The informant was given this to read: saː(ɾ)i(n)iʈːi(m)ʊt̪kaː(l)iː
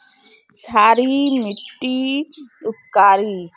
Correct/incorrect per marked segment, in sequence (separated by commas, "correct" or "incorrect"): correct, incorrect, incorrect, incorrect